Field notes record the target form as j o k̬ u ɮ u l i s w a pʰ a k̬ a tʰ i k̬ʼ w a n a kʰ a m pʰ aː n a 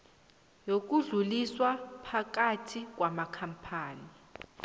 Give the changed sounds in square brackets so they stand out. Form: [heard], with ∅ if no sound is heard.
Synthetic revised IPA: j o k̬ u ɮ u l i s w a pʰ a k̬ a tʰ i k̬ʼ w a [m] a kʰ a m pʰ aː n [i]